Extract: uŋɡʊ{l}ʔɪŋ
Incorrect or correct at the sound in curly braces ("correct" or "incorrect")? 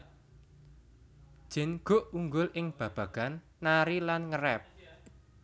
correct